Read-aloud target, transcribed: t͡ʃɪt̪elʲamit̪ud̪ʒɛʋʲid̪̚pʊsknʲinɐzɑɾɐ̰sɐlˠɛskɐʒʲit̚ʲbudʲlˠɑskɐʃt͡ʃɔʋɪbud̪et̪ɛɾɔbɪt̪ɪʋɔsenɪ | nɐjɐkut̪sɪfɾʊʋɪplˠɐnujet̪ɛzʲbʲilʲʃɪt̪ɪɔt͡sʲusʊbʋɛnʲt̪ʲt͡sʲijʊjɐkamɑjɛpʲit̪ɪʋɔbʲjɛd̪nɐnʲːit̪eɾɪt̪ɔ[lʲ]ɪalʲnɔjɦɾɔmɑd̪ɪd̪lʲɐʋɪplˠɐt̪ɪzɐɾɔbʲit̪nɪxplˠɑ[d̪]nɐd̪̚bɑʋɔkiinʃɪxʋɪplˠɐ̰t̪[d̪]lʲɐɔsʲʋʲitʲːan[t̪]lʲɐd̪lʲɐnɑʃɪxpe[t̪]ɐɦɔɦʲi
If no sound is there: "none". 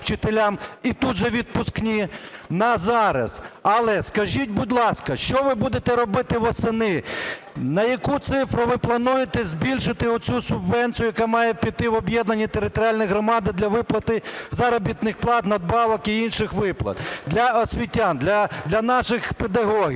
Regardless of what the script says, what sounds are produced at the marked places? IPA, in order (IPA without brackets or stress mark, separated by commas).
ɾʲ, t̪, d̪, d̪, d̪